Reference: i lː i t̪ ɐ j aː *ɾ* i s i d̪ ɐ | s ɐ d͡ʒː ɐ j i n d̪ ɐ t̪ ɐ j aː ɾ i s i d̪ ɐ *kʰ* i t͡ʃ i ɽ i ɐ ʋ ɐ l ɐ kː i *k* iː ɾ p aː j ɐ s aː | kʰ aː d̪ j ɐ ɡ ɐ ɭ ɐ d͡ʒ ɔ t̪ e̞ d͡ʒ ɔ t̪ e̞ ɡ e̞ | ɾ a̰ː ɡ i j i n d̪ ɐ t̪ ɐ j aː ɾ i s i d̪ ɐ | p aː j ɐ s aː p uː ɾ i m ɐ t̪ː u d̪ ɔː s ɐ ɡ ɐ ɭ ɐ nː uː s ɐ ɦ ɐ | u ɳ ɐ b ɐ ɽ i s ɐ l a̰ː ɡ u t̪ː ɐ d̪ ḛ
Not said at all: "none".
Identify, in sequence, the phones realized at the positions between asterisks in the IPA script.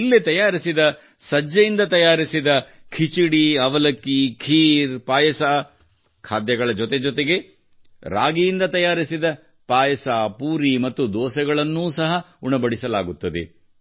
ɾ, kʰ, kʰ

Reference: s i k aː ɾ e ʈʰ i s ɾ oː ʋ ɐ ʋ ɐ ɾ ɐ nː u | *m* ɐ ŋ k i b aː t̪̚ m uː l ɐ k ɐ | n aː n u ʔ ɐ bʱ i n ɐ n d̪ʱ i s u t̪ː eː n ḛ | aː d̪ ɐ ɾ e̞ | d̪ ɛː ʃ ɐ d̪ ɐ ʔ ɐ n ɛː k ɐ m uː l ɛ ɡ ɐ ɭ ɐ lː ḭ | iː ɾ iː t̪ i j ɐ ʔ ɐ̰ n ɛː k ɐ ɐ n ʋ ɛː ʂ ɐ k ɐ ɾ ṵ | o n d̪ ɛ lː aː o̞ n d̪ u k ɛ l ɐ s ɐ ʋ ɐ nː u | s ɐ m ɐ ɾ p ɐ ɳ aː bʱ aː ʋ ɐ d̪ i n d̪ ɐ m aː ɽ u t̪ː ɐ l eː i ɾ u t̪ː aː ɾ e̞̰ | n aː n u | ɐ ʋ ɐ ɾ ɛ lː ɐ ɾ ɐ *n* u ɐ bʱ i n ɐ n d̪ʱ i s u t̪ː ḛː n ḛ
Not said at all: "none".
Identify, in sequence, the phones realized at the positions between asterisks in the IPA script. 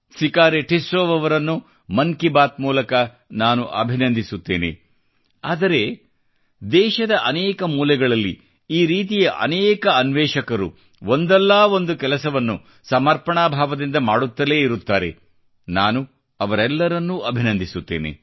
m, nː

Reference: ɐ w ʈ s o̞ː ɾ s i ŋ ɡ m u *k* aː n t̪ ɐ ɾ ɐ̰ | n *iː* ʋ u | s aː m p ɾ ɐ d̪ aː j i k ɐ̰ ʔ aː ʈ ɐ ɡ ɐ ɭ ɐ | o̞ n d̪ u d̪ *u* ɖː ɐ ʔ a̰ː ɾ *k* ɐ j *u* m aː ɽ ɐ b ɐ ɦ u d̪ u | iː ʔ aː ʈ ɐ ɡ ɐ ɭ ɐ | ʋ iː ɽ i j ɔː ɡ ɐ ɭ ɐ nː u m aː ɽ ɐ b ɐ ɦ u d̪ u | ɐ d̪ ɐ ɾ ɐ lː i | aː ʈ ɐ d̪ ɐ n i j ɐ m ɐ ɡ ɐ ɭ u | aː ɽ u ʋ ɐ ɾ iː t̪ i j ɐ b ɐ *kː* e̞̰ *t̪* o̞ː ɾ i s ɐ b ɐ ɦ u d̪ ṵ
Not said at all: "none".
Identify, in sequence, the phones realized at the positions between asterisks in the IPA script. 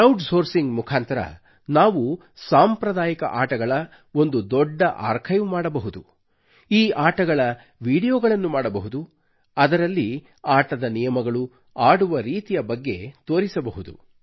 kʰ, aː, ɔ, kʰ, u, ɡː, t̪

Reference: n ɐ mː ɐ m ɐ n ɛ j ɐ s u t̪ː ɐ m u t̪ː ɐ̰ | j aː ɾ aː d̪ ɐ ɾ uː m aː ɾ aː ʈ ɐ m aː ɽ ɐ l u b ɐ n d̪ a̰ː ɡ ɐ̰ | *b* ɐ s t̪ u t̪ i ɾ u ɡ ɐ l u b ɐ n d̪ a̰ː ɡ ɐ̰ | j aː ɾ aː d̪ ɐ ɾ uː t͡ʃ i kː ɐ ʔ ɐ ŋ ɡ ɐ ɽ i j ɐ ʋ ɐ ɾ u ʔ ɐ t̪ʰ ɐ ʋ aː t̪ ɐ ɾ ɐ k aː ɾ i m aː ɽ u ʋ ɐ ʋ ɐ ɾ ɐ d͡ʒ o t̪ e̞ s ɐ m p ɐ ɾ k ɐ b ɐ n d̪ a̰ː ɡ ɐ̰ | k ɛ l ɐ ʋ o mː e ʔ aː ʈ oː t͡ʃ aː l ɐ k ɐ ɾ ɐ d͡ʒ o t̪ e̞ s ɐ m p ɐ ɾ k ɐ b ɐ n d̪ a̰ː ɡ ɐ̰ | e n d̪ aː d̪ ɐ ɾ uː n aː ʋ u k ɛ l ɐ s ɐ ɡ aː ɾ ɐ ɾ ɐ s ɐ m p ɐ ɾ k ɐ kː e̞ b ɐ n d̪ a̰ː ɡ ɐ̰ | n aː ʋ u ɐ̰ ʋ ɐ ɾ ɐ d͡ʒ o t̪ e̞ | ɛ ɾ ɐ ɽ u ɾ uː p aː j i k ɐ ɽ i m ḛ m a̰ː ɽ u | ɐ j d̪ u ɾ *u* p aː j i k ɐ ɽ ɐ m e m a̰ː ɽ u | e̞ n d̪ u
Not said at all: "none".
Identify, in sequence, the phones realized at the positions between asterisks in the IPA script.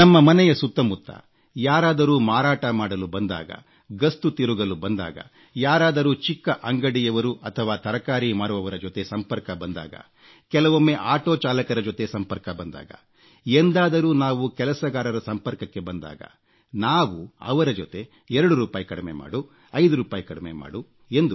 ɡ, uː

